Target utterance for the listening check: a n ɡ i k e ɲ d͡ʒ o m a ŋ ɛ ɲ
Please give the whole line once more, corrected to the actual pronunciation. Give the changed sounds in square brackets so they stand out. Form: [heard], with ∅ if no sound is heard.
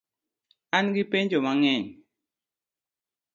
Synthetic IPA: a n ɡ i [p] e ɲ d͡ʒ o m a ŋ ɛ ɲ